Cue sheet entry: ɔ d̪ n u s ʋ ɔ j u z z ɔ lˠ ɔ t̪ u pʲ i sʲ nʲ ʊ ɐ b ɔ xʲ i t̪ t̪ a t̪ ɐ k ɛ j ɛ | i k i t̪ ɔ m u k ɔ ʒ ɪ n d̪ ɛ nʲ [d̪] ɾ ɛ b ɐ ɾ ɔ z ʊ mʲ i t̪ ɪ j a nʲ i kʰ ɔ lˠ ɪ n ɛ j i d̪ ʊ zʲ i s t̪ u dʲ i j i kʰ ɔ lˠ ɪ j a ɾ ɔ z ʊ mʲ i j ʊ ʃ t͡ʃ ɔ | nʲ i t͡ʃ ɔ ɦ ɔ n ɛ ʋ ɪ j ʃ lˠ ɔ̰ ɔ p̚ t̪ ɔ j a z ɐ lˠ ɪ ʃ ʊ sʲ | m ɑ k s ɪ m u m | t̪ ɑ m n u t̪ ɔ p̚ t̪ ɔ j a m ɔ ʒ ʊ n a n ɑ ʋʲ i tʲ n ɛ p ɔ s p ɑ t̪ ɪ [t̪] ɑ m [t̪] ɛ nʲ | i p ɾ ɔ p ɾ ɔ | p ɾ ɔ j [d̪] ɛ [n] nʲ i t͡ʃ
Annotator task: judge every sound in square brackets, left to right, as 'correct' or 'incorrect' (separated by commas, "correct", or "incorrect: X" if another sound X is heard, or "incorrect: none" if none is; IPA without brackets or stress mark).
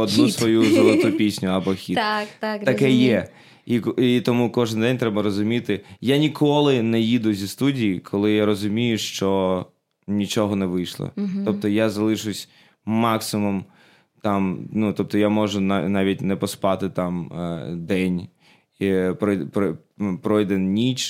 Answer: incorrect: t̪, correct, incorrect: d̪, correct, correct